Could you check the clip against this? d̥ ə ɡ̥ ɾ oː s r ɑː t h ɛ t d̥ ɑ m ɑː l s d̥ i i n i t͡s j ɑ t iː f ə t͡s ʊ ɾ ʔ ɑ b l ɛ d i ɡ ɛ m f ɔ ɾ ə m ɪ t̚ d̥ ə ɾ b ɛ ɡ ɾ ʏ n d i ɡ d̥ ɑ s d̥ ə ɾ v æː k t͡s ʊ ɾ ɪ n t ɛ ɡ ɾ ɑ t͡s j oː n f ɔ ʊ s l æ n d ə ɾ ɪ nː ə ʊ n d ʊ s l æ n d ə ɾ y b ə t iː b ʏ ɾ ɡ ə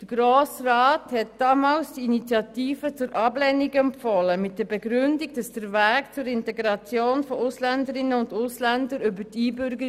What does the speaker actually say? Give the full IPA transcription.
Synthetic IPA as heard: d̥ ə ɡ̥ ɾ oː s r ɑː t h ɛ t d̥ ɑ m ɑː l s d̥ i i n i t͡s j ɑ t iː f ə t͡s ʊ ɾ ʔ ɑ b l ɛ n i ɡ ɛ m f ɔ l ə m ɪ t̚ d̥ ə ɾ b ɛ ɡ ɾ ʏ n d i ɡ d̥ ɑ s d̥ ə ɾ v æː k t͡s ʊ ɾ ɪ n t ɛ ɡ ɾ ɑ t͡s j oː n f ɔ ʊ s l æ n d ə ɾ ɪ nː ə ʊ n d ʊ s l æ n d ə ɾ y b ə t iː b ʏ ɾ ɡ ə